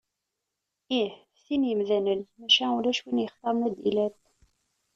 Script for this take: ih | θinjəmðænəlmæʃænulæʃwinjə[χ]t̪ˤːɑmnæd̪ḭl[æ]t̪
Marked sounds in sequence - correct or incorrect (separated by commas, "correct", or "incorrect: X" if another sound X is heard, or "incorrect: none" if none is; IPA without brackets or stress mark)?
correct, correct